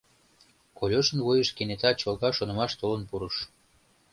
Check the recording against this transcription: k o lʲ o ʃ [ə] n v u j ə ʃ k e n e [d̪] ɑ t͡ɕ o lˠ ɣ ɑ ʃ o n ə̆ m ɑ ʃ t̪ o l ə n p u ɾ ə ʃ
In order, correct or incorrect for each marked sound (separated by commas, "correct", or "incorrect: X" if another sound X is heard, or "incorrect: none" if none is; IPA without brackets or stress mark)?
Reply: correct, incorrect: t̪